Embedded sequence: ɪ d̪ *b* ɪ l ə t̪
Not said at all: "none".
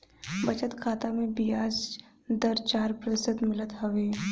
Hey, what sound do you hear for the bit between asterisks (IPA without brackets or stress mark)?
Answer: m